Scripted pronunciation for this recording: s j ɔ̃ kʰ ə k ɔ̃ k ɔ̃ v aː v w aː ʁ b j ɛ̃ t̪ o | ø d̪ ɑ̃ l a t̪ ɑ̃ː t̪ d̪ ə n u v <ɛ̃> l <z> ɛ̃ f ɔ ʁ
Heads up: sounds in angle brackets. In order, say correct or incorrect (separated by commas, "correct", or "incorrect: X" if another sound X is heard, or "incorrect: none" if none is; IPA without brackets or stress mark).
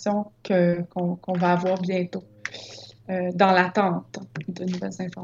incorrect: ɛ, correct